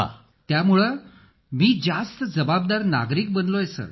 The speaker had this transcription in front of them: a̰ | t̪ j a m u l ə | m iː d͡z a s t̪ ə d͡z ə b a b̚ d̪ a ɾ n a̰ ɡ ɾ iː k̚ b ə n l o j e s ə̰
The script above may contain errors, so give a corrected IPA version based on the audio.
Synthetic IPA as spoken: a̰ | t̪ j a m u ɭ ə | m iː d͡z a s t̪ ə d͡z ə b a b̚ d̪ a ɾ n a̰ ɡ ɾ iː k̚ b ə n l o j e s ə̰